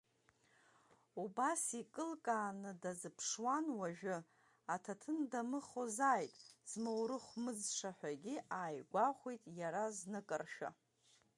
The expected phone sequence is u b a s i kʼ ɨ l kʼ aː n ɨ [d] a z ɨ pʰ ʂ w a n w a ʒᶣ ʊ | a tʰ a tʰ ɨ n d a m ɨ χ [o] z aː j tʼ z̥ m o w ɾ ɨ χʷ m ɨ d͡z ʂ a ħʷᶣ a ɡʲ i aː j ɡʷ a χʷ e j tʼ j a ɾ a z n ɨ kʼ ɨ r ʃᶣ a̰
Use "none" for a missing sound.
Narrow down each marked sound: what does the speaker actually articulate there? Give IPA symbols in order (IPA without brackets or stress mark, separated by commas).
d, o